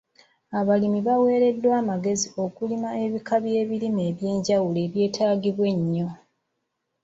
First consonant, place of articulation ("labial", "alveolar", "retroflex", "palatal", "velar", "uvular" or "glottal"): labial